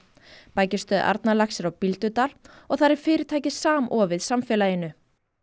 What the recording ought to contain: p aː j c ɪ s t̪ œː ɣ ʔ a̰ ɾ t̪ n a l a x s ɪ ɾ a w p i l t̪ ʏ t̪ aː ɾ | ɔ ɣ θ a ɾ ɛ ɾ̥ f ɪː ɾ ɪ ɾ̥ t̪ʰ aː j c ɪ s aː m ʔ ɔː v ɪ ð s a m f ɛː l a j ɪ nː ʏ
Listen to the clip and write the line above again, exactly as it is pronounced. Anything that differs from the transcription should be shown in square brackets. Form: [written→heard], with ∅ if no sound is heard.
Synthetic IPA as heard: p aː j c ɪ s t̪ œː [ɣ→ð] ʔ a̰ ɾ t̪ n a l a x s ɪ ɾ a w p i l t̪ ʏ t̪ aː [ɾ→l] | ɔ ɣ θ a ɾ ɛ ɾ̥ f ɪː ɾ ɪ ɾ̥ t̪ʰ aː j c ɪ s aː m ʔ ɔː v ɪ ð s a m f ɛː l a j ɪ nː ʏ